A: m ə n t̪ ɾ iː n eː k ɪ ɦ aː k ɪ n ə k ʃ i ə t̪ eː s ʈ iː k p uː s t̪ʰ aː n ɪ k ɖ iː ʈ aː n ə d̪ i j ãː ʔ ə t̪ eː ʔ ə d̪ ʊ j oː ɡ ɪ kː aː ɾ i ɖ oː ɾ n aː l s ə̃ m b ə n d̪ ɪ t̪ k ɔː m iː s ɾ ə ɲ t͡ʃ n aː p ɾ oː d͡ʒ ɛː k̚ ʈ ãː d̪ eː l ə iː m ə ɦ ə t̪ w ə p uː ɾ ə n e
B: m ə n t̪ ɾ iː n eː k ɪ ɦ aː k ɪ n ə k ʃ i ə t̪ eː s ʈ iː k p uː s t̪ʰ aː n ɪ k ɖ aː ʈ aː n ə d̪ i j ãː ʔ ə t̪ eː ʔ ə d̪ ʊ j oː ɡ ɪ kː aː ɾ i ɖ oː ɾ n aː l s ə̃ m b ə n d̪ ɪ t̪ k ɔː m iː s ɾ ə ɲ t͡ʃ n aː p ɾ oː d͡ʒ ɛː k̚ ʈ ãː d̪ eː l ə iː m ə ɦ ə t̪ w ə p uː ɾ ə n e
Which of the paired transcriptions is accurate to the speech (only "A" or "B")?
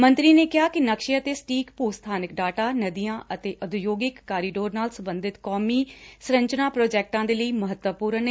B